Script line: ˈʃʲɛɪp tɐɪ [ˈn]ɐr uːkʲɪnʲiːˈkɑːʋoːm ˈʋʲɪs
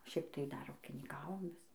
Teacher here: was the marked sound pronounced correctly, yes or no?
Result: no